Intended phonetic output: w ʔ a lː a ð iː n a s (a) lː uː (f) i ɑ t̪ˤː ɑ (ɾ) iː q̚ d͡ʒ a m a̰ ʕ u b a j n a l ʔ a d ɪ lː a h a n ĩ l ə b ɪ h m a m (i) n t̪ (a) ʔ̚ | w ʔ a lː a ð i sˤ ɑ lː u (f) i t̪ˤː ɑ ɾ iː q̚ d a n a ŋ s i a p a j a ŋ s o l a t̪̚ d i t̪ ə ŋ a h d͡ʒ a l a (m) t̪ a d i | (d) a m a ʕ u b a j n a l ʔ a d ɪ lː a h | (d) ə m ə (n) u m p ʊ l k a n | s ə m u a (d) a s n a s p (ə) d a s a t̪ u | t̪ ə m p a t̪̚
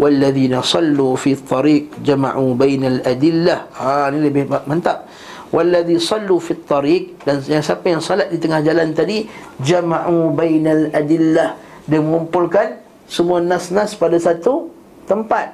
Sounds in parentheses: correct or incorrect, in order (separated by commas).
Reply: incorrect, correct, correct, incorrect, correct, correct, incorrect, incorrect, correct, incorrect, incorrect, incorrect